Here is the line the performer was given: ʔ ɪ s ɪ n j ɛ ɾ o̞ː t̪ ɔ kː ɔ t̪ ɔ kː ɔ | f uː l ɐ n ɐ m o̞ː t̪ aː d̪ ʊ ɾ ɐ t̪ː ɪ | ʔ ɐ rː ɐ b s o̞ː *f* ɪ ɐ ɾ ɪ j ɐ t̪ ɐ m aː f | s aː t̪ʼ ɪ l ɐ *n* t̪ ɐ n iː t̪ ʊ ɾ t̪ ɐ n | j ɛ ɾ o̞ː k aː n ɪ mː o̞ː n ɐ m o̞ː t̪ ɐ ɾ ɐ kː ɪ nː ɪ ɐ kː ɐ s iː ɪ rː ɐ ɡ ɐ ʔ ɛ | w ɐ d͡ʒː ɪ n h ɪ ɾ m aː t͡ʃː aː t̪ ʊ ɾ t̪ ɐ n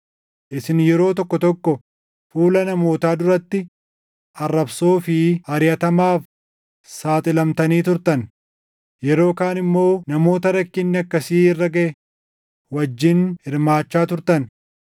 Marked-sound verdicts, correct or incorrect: correct, incorrect: m

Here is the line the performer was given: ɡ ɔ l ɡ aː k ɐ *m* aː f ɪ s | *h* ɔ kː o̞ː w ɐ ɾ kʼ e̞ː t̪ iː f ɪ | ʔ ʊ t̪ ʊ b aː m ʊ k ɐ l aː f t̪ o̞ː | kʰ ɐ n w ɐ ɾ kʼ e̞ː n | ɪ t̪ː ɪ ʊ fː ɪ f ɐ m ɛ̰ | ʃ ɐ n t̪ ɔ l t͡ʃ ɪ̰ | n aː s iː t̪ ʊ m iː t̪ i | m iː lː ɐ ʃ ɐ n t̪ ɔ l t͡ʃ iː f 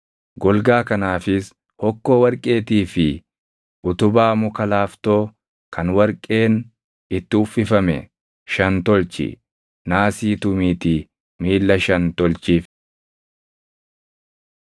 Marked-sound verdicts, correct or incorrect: incorrect: n, correct

